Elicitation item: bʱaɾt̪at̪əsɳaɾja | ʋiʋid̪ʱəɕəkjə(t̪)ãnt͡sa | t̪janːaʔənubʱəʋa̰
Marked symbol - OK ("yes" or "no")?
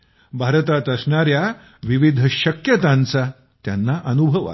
yes